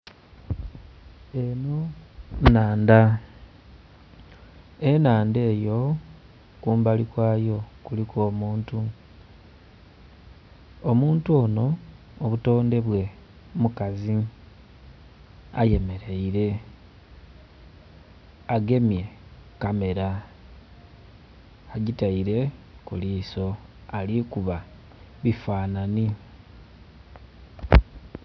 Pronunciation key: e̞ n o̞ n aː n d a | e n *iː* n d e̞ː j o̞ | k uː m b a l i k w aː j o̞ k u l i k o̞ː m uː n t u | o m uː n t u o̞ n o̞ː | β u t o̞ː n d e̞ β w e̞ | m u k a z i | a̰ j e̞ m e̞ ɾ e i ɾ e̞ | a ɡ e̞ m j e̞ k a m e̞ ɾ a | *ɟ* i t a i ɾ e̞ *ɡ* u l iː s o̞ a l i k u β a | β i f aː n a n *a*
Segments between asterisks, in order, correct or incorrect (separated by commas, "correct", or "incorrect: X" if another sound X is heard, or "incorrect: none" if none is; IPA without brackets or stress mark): incorrect: aː, correct, incorrect: k, incorrect: i